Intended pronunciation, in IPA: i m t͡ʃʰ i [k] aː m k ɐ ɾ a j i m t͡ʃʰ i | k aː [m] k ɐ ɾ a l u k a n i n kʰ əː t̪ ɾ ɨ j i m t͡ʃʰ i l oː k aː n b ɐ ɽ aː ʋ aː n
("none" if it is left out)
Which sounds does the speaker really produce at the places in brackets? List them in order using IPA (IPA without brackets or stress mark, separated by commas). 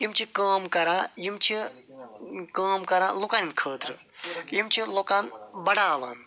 k, m